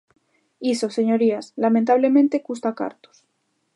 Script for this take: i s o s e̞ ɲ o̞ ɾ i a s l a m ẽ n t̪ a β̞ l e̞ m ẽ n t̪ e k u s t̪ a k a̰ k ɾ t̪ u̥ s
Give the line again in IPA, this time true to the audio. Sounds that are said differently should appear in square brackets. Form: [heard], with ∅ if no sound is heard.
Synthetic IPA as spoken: i s o s e̞ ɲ o̞ ɾ i a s l a m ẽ n t̪ a β̞ l e̞ m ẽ n t̪ e k u s t̪ a k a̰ [∅] ɾ t̪ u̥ s